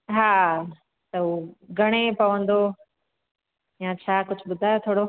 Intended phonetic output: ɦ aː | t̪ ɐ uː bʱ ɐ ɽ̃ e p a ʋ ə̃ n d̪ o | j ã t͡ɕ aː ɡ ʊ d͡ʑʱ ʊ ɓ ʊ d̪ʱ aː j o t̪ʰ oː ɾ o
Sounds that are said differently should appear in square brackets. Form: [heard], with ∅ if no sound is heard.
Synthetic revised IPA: ɦ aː | t̪ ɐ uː [ɡʱ] ɐ ɽ̃ e p [ɐ] ʋ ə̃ n d̪ o | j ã [t͡ɕʰ] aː [k] ʊ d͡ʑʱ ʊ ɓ ʊ d̪ʱ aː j o t̪ʰ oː [ɽ] o